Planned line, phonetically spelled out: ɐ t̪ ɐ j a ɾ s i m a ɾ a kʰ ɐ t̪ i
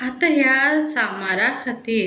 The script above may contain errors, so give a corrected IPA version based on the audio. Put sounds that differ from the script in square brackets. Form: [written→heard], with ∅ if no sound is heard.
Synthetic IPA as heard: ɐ t̪ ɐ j a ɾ s [i→a] m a ɾ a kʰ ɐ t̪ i